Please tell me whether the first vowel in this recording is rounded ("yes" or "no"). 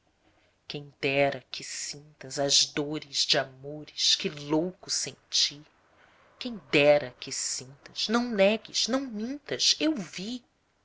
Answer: no